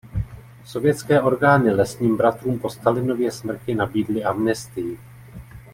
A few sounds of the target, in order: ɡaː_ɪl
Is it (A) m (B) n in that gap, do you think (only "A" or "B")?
B